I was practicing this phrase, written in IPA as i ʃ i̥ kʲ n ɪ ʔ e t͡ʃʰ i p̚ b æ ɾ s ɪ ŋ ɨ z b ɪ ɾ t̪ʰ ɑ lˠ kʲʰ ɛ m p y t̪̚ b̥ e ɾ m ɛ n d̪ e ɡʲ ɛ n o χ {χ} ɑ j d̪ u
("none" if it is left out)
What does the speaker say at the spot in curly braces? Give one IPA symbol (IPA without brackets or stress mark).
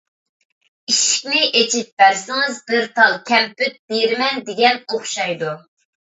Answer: ʃ